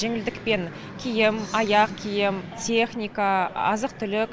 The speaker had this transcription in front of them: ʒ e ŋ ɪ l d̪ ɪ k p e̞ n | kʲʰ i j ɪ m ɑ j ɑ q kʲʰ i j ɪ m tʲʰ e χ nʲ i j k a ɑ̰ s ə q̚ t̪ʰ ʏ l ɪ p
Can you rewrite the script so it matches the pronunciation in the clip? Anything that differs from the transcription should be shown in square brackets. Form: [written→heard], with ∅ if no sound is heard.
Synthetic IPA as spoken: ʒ e ŋ ɪ l d̪ ɪ k p e̞ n | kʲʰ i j ɪ m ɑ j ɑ q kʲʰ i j ɪ m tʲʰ e χ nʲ i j k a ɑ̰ [s→z] ə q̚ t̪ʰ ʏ l ɪ [p→k]